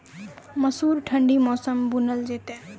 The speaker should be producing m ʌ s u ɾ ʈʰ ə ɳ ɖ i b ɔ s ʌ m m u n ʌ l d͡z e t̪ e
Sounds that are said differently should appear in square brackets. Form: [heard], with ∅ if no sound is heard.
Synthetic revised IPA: m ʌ s u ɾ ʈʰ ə ɳ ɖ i [m] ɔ s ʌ m [b] u n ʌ l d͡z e t̪ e